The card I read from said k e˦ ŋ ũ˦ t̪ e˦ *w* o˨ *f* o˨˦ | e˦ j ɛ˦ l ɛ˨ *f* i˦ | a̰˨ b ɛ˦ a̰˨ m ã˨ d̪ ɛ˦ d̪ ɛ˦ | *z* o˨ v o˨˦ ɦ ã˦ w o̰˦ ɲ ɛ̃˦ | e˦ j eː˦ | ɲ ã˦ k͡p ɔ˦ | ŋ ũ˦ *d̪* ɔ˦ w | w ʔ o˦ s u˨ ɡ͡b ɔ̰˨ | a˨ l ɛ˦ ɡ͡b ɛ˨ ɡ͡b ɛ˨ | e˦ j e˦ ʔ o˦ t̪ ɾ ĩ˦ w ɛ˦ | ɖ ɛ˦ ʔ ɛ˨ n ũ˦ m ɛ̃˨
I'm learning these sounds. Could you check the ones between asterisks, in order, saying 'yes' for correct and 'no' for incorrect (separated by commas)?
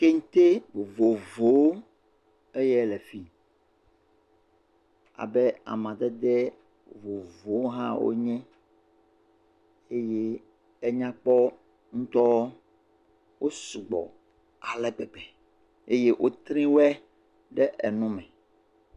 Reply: no, no, yes, no, no